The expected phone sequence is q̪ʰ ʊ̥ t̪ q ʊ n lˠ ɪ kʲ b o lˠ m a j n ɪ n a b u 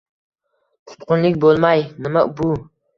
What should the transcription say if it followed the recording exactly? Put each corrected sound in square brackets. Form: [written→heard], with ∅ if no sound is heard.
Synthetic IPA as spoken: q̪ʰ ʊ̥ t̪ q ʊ n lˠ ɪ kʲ b o lˠ m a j n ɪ [n→m] a b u